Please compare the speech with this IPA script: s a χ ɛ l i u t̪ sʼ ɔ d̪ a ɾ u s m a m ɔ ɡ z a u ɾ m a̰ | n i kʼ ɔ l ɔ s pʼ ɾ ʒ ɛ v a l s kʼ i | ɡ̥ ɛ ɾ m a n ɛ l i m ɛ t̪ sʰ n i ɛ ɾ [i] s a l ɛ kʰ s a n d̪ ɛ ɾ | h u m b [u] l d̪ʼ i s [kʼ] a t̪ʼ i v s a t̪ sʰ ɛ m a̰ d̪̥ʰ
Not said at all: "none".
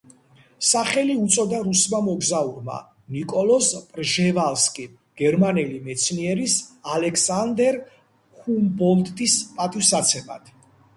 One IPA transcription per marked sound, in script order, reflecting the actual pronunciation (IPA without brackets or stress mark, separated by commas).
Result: i, ɔ, pʼ